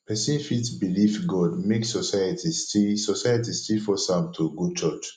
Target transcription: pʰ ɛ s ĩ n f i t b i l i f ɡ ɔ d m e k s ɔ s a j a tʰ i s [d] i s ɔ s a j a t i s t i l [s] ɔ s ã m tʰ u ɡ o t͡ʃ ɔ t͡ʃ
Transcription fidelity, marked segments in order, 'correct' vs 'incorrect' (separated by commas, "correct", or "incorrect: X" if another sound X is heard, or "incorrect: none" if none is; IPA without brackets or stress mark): incorrect: t, incorrect: f